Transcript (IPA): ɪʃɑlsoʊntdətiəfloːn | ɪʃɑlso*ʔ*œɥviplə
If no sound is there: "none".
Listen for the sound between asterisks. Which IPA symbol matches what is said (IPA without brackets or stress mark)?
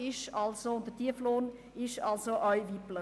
ʔ